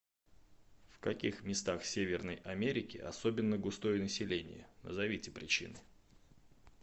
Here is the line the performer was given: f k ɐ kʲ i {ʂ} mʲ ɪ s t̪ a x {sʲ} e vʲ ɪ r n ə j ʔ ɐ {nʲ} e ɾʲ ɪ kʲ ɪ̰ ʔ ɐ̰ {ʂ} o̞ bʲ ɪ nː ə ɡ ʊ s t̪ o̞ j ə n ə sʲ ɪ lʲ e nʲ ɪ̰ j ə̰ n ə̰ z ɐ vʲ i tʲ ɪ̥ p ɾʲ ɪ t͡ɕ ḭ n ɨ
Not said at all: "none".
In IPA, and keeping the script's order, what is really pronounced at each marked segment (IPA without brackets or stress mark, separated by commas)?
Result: x, sʲ, mʲ, s